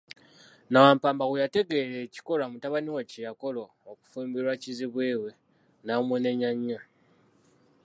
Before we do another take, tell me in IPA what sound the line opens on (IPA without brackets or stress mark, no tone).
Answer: n